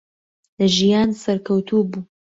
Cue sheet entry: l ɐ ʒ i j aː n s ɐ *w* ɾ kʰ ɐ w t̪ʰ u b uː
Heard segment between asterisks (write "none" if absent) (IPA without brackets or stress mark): none